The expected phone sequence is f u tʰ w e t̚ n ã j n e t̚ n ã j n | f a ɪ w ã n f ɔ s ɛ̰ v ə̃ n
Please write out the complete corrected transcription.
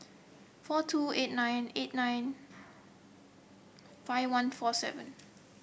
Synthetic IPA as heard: f ɔ tʰ u e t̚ n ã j n e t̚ n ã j n | f a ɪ w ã n f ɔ s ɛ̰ v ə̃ n